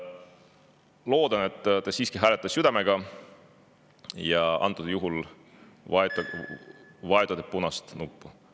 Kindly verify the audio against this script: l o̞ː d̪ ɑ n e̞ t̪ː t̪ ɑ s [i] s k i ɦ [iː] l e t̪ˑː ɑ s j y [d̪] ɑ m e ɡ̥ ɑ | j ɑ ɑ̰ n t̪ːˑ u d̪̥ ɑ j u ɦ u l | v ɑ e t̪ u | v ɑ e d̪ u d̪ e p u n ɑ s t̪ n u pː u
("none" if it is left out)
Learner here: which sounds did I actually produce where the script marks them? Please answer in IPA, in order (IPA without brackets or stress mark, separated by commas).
iː, æː, d̪